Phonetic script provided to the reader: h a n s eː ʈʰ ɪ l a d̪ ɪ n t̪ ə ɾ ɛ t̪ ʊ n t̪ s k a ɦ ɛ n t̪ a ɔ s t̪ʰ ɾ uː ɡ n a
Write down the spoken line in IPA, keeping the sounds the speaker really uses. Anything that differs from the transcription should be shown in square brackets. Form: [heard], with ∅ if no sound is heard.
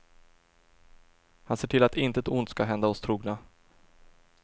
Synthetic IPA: h a n s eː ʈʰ ɪ l a [t̪] ɪ n t̪ ə [∅] ɛ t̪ ʊ n t̪ s k a ɦ ɛ n [d̪] a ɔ s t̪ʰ ɾ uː ɡ n a